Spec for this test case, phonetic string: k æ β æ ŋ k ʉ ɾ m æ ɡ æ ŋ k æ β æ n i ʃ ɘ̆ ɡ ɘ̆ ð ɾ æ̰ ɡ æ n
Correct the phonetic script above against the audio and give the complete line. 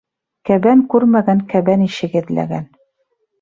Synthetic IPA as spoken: k æ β æ ŋ k ʉ ɾ m æ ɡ æ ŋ k æ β æ n i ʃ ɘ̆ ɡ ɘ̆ ð l æ̰ ɡ æ n